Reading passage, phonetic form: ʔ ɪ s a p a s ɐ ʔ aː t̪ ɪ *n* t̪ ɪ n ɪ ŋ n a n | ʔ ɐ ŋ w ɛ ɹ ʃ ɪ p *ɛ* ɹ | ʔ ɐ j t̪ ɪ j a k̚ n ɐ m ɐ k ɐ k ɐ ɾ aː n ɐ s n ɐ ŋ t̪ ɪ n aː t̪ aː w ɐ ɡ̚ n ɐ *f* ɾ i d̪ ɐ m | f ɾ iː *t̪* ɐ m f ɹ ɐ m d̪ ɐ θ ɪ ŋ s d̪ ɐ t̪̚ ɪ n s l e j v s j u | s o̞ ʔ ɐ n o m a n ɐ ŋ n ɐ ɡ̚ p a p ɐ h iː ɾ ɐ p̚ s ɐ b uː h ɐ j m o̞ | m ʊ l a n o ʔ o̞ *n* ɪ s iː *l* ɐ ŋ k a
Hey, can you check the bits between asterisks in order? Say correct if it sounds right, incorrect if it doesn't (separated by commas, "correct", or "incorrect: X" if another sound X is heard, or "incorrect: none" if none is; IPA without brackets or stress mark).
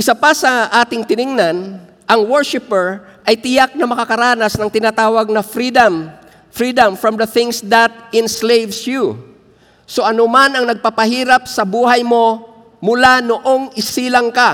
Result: incorrect: ŋ, correct, correct, incorrect: d̪, incorrect: ŋ, correct